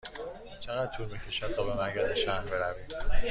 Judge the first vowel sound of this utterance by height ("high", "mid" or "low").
mid